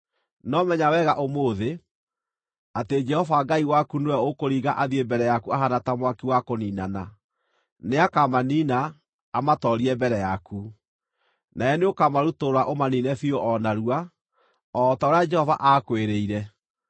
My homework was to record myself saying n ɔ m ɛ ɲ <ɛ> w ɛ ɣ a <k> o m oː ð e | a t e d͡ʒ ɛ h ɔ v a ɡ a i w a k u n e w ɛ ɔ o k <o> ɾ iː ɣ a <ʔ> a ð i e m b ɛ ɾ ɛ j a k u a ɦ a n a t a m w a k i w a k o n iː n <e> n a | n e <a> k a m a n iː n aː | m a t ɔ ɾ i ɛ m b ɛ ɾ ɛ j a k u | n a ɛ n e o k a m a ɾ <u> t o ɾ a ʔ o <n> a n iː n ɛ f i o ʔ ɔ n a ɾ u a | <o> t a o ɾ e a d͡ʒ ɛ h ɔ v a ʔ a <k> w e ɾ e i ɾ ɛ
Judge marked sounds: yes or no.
no, no, yes, yes, no, yes, yes, no, no, yes

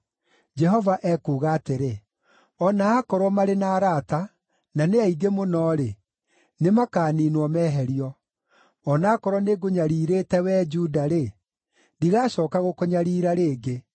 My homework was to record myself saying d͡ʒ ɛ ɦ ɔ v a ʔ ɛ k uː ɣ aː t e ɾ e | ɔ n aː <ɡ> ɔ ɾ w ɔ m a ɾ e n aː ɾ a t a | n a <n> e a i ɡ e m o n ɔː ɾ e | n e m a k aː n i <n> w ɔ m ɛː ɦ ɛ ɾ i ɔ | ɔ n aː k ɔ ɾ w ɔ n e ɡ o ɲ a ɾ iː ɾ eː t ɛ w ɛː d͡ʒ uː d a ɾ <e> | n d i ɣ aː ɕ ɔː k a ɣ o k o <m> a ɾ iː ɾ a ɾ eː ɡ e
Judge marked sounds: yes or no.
no, yes, yes, yes, no

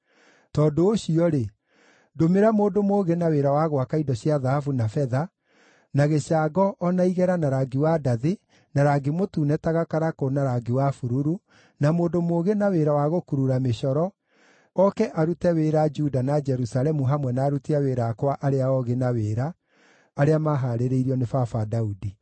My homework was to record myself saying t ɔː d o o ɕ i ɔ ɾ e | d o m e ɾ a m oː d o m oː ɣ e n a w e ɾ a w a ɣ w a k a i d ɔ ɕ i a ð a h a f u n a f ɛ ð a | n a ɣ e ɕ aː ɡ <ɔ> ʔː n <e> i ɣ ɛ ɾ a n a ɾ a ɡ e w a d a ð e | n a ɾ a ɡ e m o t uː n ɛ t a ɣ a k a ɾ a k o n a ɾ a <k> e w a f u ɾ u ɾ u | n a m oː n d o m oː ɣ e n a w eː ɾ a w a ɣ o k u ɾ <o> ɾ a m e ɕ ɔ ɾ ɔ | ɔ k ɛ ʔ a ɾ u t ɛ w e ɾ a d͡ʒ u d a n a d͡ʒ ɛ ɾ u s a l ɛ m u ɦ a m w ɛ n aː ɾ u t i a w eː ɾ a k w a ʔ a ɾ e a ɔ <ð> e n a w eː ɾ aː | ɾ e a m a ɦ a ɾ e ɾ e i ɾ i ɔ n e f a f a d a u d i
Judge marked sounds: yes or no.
yes, no, no, no, no

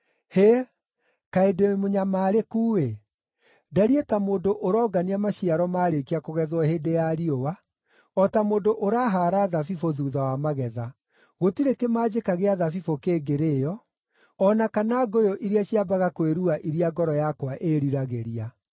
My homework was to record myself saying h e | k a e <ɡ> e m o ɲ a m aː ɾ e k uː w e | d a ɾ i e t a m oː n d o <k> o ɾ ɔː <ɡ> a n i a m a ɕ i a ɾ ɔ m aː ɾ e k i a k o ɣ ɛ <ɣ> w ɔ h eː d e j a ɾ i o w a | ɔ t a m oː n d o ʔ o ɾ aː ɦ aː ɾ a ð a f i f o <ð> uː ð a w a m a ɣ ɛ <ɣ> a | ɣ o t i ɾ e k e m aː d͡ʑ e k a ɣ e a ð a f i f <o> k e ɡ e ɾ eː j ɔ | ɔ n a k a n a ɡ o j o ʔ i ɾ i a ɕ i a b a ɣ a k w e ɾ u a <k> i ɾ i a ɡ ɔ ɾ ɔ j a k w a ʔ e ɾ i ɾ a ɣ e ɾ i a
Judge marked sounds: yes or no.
no, no, yes, no, yes, no, yes, no

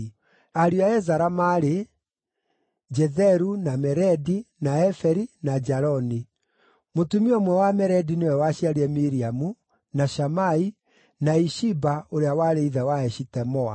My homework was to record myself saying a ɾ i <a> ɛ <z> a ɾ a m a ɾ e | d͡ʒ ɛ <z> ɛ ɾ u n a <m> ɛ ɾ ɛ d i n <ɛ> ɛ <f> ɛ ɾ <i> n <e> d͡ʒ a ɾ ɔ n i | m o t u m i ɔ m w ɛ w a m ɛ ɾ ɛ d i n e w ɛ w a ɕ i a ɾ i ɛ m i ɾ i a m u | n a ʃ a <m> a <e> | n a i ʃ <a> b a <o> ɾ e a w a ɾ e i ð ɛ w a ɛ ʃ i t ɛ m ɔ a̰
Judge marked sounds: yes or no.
yes, yes, no, yes, no, yes, yes, no, yes, no, no, yes

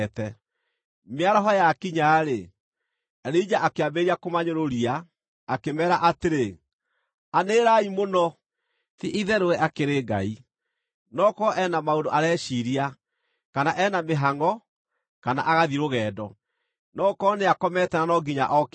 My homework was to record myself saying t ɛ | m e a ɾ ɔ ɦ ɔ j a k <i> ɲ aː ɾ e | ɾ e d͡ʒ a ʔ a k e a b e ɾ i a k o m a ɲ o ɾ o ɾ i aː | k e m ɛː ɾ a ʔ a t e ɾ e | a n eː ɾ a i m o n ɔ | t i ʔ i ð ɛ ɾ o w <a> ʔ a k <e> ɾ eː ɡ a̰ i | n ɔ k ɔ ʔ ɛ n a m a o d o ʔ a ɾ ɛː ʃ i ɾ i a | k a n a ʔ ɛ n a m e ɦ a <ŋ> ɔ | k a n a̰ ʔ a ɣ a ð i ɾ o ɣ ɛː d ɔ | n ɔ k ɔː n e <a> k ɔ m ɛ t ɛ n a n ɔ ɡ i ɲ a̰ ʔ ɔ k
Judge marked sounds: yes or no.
yes, no, yes, yes, yes

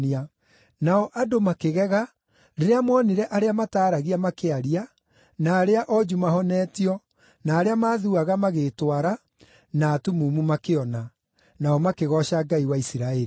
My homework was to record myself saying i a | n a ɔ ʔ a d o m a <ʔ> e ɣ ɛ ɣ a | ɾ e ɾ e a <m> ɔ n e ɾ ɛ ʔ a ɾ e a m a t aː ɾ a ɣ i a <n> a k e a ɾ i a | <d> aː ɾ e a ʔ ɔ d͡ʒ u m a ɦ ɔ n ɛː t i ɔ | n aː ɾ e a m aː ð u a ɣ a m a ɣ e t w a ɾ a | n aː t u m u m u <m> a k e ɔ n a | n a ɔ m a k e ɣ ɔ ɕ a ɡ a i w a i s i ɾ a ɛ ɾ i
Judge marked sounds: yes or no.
no, yes, no, no, yes

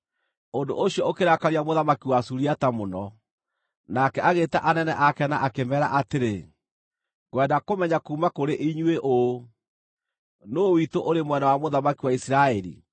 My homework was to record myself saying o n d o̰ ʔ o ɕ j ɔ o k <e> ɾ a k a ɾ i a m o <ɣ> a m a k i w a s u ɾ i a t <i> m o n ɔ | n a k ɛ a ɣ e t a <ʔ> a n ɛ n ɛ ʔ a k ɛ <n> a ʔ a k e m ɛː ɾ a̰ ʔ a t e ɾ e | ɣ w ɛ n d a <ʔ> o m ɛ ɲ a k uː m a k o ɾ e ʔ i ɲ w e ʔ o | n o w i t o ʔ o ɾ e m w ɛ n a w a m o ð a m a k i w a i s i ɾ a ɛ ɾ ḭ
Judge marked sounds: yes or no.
yes, no, no, yes, yes, no

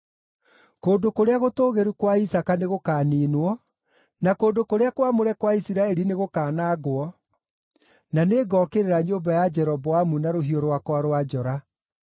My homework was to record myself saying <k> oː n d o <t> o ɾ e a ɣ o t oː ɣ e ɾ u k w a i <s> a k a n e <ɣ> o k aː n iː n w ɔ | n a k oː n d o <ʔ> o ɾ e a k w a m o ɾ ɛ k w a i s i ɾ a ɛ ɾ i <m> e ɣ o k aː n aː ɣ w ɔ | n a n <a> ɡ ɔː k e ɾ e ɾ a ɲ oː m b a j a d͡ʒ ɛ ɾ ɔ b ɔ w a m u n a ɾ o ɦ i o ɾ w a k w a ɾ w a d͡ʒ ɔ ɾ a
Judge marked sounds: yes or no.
yes, no, yes, yes, no, no, no

